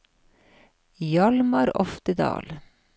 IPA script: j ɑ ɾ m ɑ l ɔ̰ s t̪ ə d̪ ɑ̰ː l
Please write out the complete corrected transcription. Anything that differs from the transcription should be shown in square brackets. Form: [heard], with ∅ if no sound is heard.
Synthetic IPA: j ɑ [l] m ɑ [ɾ] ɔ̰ [f] t̪ ə d̪ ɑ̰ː l